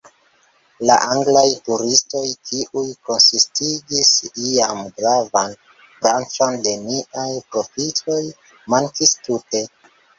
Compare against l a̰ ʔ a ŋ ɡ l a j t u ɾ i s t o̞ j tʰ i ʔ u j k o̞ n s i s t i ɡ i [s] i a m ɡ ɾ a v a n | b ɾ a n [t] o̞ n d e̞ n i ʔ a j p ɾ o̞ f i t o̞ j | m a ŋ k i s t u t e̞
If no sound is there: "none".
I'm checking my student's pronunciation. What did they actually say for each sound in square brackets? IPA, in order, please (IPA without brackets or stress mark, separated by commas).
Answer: s, t͡ʃ